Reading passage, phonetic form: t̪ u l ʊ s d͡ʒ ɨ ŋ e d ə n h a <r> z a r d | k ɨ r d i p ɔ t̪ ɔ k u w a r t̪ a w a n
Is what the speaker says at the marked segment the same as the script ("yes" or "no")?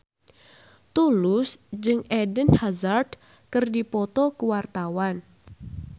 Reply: no